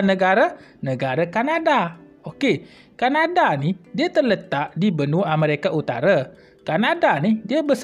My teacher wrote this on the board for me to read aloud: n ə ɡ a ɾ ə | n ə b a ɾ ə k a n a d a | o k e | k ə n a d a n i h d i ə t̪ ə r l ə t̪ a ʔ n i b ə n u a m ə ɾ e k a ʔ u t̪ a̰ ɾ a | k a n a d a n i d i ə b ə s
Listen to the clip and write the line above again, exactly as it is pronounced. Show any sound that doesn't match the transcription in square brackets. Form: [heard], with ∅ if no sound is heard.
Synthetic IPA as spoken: n ə ɡ a ɾ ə | n ə [ɡ] a ɾ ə k a n a d a | o k e | k [a] n a d a n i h d i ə t̪ ə r l ə t̪ a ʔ [d] i b ə n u a m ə ɾ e k a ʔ u t̪ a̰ ɾ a | k a n a d a n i d i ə b ə s